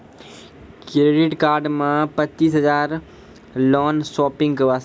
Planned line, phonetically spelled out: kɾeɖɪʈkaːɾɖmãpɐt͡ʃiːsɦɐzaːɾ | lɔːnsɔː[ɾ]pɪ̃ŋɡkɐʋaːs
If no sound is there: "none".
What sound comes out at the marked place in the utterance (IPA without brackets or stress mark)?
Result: none